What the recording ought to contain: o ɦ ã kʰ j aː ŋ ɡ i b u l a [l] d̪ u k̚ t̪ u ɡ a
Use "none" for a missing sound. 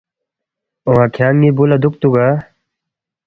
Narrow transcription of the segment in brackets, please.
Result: none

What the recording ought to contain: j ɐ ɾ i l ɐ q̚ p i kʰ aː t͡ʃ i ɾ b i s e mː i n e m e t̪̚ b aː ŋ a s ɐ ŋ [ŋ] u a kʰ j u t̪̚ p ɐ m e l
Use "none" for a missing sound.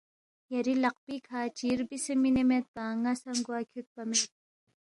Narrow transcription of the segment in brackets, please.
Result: ɡ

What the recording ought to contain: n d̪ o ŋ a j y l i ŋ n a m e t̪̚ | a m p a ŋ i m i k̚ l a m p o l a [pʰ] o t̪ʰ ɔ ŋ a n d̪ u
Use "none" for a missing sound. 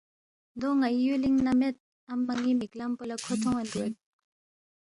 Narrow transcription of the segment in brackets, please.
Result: kʰ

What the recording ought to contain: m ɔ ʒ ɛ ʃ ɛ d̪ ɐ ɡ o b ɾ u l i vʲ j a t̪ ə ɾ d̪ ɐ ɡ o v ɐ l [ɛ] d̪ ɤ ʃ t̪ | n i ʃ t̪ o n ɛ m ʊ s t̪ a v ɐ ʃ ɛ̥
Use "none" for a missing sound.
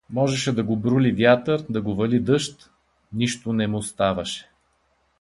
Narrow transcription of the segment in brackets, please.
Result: i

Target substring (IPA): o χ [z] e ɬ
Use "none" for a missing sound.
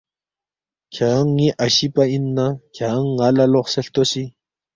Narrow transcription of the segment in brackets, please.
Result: s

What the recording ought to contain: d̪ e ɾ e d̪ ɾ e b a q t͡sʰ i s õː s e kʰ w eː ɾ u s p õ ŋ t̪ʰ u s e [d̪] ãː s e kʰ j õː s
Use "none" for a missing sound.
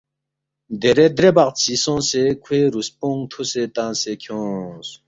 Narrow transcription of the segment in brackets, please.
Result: t̪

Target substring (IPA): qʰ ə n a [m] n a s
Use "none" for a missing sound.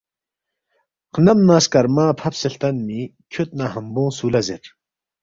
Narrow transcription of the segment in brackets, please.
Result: m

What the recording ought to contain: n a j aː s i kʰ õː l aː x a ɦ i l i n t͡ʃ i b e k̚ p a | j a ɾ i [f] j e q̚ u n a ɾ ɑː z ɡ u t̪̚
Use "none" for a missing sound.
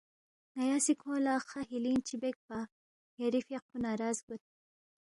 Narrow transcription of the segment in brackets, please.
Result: f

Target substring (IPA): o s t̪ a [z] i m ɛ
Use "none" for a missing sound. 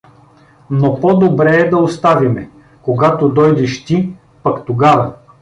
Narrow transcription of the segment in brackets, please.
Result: v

